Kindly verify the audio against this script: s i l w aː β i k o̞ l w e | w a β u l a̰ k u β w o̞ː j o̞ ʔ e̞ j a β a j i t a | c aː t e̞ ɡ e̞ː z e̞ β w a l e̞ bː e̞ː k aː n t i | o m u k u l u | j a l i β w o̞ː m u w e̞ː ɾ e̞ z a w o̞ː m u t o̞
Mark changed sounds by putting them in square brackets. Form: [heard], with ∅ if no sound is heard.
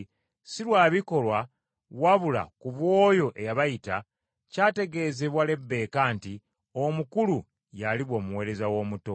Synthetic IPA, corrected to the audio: s i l w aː β i k o̞ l w [a] | w a β u l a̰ k u β w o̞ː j o̞ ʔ e̞ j a β a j i t a | c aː t e̞ ɡ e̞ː z e̞ β w a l e̞ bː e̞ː k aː n t i | o m u k u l u | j a l i β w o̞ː m u w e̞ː ɾ e̞ z a w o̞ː m u t o̞

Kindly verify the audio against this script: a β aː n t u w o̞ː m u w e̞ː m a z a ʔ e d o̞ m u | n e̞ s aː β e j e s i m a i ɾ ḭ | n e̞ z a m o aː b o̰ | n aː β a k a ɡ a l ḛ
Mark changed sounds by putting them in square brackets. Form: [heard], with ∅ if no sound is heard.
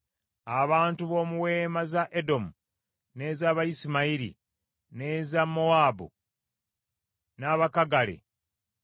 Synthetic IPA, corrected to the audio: a β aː n t u [β] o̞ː m u w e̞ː m a z a ʔ e d o̞ m u | n e̞ [z] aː β [a] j [i] s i m a i ɾ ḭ | n e̞ z a m o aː b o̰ | n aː β a k a ɡ a l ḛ

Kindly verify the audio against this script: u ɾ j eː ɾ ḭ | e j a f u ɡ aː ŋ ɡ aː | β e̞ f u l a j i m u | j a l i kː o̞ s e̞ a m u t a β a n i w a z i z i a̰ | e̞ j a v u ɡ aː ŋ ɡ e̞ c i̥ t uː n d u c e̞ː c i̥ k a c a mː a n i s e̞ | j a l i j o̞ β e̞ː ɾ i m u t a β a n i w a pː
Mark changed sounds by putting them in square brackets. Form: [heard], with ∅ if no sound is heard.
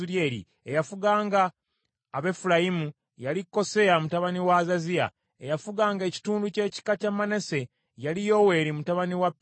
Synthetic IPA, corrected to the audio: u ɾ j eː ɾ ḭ | e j a f u ɡ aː ŋ ɡ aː | β e̞ f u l a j i m u | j a l i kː o̞ s e̞ a m u t a β a n i w a z [a] z i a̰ | e̞ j a [f] u ɡ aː ŋ ɡ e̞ c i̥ t uː n d u c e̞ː c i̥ k a c a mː a n [e] s e̞ | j a l i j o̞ [w] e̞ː ɾ i m u t a β a n i w a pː

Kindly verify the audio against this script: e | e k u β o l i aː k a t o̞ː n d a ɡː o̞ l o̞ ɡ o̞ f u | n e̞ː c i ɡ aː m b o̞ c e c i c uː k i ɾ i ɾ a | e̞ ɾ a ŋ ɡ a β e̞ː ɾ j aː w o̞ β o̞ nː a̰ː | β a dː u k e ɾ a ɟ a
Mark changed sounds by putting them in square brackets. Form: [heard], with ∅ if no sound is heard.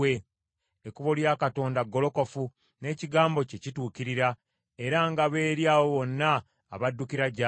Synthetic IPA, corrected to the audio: e | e k u β o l [j] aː k a t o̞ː n d a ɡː o̞ l o̞ [k] o̞ f u | n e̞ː c i ɡ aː m b o̞ c e c i [t] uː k i ɾ i ɾ a | e̞ ɾ a ŋ ɡ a β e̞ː ɾ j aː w o̞ β o̞ nː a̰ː | β a dː u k [i] ɾ a ɟ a

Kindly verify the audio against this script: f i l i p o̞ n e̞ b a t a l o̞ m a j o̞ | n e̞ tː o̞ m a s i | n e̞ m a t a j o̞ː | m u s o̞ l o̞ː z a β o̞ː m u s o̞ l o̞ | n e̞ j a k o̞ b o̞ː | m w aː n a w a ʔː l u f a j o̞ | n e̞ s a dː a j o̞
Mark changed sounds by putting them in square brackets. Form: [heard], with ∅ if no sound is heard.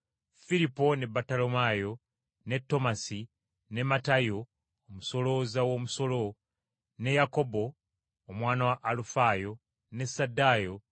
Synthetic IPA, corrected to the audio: f i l i p o̞ n e̞ b a t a l o̞ m a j o̞ | n e̞ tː o̞ m a s i | n e̞ m a t a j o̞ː | m u s o̞ l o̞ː z a [w] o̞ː m u s o̞ l o̞ | n e̞ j a k o̞ b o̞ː | m w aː n a w a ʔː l u f a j o̞ | n e̞ s a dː a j o̞

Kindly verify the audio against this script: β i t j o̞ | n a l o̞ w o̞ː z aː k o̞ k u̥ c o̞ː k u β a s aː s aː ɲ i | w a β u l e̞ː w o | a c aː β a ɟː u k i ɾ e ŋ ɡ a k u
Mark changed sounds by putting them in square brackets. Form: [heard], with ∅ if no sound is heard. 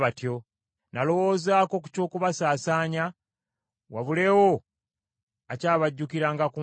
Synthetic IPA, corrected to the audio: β [a] t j o̞ | n a l o̞ w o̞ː z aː k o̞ k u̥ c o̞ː k u β a s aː s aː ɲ [a] | w a β u l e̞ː w o | a c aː β a ɟː u k i ɾ [a] ŋ ɡ a k u

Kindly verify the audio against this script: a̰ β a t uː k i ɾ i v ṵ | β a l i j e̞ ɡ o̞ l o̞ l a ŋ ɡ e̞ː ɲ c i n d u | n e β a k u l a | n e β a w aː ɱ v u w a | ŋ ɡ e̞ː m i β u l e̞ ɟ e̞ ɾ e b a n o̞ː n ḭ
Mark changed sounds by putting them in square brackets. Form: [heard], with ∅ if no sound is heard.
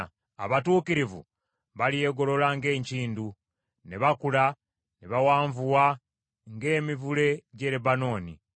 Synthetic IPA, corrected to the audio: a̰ β a t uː k i ɾ i v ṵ | β a l i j e̞ ɡ o̞ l o̞ l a ŋ ɡ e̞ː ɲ c [iː] n d u | n e β a k u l a | n e β a w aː ɱ v u w a | ŋ ɡ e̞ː m i [v] u l e̞ ɟ e̞ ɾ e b a n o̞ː n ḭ

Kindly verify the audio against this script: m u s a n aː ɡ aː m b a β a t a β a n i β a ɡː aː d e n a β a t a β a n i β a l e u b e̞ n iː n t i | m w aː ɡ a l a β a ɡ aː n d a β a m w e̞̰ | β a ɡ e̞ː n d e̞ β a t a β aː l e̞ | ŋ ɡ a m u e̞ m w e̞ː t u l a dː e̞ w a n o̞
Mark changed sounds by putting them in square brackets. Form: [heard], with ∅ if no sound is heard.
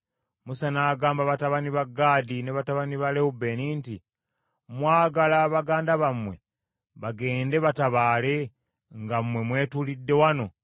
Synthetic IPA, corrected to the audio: m u s a n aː ɡ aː m b a β a t a β a n i β a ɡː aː d [i] n [e] β a t a β a n i β a l e u b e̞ n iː n t i | m w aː ɡ a l a β a ɡ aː n d a β a m w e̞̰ | β a ɡ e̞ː n d e̞ β a t a β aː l e̞ | ŋ ɡ a m [w] e̞ m w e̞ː t u l [i] dː e̞ w a n o̞

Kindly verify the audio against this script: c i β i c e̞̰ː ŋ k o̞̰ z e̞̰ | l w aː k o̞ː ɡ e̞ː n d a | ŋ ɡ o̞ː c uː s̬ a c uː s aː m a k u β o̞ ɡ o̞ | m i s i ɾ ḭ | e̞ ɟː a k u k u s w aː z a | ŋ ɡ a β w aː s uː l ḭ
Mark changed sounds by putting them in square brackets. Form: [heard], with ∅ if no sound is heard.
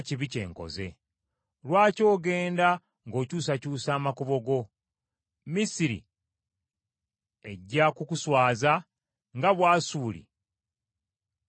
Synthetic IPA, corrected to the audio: c i β i c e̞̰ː ŋ k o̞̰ z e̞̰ | l w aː [c] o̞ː ɡ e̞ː n d a | ŋ ɡ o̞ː c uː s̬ a c uː s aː m a k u β o̞ ɡ o̞ | m i s i ɾ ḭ | e̞ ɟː a k u k u s w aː z a | ŋ ɡ a β w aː s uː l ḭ

